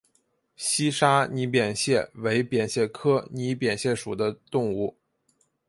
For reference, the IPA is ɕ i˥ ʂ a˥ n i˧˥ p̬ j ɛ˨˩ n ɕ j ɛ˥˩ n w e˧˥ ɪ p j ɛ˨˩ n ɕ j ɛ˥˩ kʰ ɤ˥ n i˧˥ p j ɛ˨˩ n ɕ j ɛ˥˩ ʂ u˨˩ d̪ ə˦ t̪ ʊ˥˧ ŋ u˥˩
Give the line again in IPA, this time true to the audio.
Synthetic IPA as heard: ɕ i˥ ʂ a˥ n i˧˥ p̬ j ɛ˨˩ n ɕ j ɛ˥˩ w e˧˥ ɪ p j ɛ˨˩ n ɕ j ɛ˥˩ kʰ ɤ˥ n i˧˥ p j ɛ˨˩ n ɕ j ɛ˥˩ ʂ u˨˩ d̪ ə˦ t̪ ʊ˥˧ ŋ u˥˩